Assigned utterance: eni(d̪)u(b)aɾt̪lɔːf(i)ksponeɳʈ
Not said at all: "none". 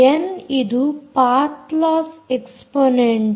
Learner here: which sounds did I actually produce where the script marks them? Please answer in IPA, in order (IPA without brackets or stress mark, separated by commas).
d̪, p, e